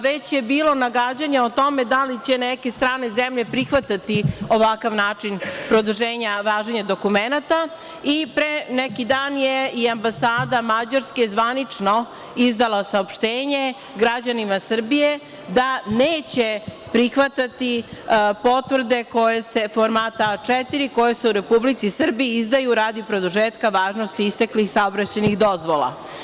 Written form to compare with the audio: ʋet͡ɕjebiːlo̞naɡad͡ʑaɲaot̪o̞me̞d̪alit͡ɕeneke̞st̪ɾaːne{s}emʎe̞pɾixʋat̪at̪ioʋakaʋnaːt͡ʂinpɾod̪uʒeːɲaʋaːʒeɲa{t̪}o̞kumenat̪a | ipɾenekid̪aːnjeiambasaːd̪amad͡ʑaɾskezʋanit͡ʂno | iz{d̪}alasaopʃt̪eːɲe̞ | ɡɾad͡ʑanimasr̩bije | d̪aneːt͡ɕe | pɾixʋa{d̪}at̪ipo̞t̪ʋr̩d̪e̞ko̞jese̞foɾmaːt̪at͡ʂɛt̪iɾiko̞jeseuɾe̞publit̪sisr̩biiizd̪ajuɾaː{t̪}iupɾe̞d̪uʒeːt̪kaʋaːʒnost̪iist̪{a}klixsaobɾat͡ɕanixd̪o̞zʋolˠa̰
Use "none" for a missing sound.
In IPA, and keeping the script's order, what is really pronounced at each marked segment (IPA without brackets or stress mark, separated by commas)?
z, d̪, d̪, t̪, d̪, e